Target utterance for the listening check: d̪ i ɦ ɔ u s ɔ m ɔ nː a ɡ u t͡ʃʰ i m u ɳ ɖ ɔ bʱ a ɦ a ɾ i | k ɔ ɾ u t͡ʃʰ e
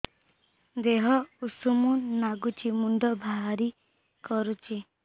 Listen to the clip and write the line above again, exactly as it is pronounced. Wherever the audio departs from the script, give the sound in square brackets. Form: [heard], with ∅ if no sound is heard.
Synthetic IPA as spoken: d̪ [e] ɦ ɔ u s [u] m [u] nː a ɡ u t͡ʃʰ i m u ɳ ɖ ɔ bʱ a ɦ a ɾ i | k ɔ ɾ u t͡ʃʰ [i]